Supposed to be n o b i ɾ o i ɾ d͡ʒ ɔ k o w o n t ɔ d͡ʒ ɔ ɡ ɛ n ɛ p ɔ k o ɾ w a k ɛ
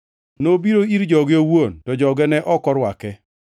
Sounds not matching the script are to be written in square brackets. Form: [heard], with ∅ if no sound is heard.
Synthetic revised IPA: n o b i ɾ o i ɾ d͡ʒ ɔ [ɡ] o w o n t ɔ d͡ʒ ɔ ɡ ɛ n ɛ [ʔ] ɔ k [ɔ] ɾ w a k ɛ